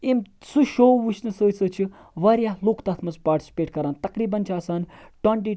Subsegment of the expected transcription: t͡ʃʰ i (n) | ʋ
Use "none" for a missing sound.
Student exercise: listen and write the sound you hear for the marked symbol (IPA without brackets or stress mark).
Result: none